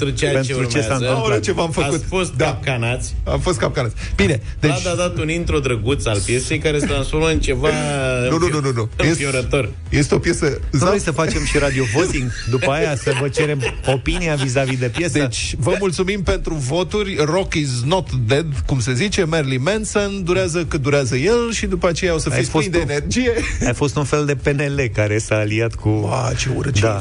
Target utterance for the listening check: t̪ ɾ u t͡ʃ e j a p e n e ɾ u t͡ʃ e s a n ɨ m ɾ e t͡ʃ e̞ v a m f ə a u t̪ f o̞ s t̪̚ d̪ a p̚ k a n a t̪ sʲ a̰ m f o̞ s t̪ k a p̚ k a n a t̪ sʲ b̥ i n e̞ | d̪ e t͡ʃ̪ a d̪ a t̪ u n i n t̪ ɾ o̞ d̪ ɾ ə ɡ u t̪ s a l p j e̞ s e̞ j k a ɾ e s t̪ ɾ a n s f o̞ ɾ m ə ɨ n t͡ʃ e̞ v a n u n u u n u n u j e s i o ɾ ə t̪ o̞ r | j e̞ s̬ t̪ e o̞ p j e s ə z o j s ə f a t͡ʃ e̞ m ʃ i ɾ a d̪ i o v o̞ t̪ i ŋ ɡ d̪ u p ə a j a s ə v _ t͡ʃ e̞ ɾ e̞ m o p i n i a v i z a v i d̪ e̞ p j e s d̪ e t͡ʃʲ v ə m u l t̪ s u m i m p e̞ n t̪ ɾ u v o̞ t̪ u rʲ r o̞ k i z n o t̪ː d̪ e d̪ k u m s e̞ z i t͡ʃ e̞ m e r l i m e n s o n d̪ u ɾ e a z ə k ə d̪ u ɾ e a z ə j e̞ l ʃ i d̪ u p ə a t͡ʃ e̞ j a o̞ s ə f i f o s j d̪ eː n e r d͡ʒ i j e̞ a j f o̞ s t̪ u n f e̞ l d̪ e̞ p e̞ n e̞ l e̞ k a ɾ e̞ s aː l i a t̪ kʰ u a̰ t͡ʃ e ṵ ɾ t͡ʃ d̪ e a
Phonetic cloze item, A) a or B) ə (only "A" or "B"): B